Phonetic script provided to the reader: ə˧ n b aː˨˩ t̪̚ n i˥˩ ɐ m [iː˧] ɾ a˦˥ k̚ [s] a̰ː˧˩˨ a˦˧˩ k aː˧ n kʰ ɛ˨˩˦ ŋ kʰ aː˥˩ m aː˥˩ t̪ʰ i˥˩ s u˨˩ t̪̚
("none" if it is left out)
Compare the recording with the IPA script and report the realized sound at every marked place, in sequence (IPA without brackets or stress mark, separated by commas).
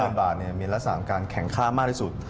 iː˧, s